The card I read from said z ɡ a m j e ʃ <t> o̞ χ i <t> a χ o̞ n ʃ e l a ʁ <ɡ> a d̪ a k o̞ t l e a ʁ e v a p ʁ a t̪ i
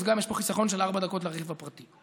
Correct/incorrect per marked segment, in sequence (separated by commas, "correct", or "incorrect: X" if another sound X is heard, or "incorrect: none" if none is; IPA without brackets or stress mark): incorrect: p, incorrect: s, incorrect: b